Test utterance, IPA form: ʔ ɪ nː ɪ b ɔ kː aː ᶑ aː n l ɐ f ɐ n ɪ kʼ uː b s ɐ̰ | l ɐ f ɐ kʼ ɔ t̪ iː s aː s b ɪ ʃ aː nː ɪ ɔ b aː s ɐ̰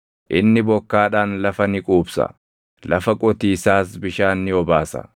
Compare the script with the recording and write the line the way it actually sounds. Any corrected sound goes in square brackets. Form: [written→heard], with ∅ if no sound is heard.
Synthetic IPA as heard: ʔ ɪ nː ɪ b ɔ kː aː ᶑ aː n l ɐ f ɐ n ɪ kʼ uː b s ɐ̰ | l ɐ f ɐ kʼ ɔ t̪ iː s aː s b ɪ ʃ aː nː ɪ ɔ b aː s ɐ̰